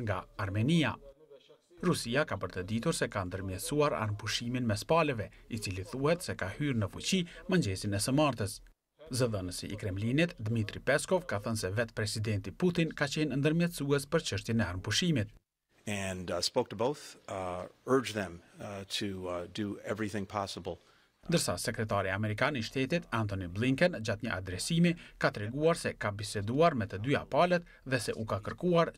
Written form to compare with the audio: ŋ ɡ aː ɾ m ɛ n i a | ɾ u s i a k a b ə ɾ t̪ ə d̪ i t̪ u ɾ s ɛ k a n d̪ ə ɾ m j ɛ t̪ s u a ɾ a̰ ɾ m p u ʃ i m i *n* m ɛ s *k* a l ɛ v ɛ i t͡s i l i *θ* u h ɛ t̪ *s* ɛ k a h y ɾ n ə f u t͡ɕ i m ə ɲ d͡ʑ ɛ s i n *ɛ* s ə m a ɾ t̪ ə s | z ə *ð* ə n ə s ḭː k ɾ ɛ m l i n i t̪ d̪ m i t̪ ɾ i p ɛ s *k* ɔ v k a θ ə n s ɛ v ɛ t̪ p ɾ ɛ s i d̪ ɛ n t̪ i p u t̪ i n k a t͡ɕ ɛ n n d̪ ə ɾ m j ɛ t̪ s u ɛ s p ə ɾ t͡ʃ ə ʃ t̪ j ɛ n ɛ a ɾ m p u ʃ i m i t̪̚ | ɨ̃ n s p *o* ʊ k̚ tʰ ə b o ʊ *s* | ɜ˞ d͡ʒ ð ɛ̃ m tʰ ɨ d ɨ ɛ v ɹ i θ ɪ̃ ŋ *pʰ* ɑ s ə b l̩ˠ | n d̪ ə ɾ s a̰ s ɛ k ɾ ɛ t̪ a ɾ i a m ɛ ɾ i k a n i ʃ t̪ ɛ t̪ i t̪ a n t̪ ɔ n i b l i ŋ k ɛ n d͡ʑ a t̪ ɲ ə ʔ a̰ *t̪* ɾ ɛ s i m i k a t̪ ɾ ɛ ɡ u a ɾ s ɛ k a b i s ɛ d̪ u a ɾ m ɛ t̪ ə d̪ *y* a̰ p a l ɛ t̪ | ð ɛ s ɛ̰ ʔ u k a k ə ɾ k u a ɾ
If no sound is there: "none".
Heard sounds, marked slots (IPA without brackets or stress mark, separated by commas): n, p, θ, s, ɛ, ð, k, o, θ, pʰ, d̪, y